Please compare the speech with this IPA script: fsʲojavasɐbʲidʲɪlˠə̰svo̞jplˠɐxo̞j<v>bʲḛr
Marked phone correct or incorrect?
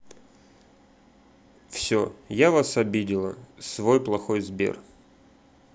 incorrect